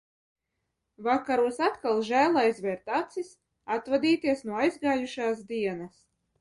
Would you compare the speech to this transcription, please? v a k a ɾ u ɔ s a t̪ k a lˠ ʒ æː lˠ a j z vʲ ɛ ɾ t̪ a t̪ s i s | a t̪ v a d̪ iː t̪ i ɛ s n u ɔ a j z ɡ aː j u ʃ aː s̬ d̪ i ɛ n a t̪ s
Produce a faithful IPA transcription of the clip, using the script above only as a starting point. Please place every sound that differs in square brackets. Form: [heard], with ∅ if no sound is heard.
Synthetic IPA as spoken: v a k a ɾ u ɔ s a t̪ k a lˠ ʒ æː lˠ a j z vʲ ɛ ɾ t̪ a t̪ s i s | a t̪ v a d̪ iː t̪ i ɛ s n u ɔ a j z ɡ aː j u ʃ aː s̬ d̪ i ɛ n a [∅] s